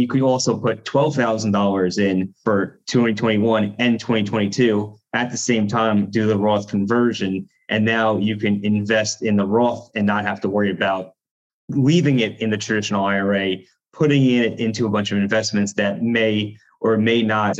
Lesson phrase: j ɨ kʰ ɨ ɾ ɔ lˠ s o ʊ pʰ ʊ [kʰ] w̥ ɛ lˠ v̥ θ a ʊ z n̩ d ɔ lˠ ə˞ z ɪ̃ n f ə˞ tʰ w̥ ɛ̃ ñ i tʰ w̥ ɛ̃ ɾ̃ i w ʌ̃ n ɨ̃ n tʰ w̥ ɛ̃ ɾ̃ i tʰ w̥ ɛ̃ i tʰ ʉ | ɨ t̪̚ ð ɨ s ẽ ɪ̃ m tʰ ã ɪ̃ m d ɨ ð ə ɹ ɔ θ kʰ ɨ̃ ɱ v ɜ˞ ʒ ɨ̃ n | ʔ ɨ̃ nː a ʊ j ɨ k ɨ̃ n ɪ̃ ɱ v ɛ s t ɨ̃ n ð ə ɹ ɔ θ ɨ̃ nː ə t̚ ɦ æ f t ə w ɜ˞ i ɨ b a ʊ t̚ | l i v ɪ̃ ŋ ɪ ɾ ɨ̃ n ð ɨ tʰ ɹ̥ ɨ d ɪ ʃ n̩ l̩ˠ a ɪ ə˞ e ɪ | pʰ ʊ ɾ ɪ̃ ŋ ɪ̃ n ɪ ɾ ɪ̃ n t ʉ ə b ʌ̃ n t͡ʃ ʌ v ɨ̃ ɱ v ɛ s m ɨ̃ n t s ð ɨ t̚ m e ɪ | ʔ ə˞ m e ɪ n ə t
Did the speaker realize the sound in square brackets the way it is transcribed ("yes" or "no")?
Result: no